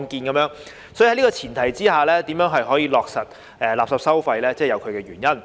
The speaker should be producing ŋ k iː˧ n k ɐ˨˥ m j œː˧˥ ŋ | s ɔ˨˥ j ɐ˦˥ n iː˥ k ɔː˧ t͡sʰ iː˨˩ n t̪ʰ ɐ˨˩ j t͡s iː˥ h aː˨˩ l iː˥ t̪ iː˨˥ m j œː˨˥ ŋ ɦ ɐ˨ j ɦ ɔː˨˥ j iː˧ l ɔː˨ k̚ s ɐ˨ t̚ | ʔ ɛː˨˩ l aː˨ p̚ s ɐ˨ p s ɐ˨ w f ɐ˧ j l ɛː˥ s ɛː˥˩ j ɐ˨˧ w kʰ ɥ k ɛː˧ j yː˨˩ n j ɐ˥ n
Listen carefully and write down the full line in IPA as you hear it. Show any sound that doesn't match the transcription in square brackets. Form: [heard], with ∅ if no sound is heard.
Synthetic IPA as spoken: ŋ k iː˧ n k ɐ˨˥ m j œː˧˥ ŋ | s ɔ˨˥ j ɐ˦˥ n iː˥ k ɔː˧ t͡sʰ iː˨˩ n t̪ʰ ɐ˨˩ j t͡s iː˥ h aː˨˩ l [ɛː˥] t̪ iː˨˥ m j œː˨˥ ŋ ɦ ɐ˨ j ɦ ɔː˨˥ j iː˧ l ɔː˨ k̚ s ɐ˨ t̚ | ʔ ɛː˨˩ l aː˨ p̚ s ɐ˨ p s [ɐ˥] w f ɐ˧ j l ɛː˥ [t͡s] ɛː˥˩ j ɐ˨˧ w kʰ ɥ k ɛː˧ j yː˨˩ n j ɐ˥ n